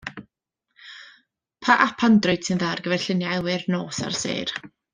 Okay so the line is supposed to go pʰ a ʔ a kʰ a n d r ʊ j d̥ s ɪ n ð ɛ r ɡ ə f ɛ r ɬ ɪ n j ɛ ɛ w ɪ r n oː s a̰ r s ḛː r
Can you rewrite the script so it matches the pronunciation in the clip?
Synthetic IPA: pʰ a ʔ a pʰ a n d r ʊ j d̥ s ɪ n ð a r ɡ ə v ɛ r ɬ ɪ n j a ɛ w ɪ r n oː s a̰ r s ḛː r